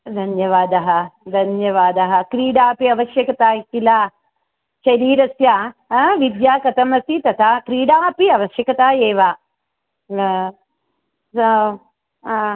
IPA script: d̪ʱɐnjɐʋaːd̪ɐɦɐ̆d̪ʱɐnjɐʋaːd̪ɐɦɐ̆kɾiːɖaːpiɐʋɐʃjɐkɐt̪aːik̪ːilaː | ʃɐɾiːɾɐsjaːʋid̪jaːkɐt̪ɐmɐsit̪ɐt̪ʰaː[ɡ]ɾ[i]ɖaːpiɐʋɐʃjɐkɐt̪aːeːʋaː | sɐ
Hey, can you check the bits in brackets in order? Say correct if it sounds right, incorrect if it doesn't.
incorrect, incorrect

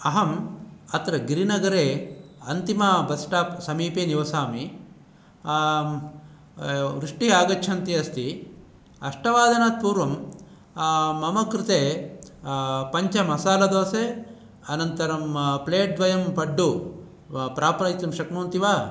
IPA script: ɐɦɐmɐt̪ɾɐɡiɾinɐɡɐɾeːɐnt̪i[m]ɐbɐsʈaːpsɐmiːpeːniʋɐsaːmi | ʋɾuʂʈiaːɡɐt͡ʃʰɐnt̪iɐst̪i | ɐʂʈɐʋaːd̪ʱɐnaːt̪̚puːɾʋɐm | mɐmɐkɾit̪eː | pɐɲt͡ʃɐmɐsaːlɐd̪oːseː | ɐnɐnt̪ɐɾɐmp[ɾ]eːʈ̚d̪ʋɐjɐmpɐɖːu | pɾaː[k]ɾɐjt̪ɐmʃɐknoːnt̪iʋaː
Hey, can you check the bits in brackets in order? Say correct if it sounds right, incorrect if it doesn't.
correct, incorrect, incorrect

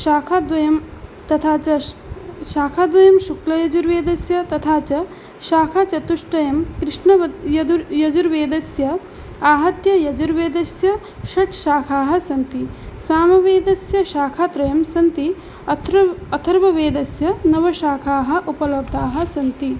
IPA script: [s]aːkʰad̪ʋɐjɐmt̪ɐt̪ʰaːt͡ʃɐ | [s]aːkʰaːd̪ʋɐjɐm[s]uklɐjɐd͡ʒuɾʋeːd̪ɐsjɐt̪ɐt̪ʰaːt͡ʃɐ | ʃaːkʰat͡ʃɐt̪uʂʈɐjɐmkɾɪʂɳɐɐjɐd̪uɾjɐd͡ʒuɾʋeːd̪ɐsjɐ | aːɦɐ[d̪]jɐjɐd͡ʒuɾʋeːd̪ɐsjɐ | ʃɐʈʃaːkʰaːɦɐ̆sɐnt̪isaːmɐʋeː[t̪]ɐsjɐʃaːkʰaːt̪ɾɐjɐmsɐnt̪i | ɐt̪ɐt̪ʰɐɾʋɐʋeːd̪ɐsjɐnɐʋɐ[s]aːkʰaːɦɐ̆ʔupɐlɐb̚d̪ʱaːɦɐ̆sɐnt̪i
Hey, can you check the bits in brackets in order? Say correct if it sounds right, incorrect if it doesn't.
incorrect, incorrect, incorrect, incorrect, incorrect, incorrect

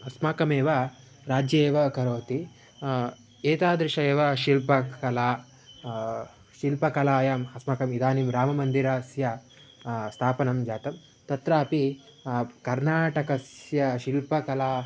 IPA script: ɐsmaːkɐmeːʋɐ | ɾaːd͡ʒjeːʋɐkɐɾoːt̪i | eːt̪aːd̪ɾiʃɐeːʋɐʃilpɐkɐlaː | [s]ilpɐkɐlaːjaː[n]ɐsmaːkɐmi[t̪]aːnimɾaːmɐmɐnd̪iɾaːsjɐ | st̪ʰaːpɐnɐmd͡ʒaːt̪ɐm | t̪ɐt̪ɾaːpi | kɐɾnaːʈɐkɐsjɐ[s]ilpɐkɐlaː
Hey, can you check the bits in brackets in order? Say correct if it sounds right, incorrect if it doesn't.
incorrect, incorrect, incorrect, incorrect

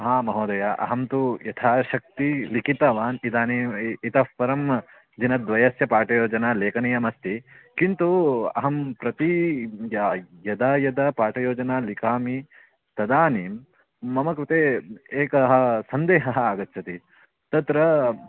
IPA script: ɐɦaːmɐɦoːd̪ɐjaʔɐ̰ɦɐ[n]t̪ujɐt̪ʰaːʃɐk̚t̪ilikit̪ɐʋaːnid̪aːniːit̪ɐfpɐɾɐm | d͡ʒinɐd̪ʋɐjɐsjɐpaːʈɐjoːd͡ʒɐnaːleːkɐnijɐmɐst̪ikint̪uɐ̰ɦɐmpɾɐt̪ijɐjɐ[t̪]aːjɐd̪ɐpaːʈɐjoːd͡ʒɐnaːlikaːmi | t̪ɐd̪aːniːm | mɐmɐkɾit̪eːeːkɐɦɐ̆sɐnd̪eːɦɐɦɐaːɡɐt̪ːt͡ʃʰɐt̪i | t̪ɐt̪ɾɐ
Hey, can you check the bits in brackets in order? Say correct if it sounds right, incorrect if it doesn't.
incorrect, incorrect

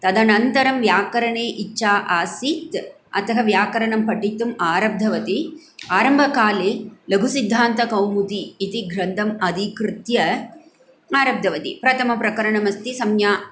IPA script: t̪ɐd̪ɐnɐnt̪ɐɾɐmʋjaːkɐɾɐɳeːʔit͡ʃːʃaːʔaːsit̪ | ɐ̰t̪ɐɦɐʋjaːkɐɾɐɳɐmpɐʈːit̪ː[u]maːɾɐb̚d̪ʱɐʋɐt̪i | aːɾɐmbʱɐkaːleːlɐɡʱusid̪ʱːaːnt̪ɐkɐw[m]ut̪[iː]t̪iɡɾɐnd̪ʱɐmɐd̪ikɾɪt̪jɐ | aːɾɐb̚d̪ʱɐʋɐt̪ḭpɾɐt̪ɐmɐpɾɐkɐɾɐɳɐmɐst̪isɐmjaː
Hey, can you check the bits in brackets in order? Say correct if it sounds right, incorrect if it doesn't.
correct, correct, correct

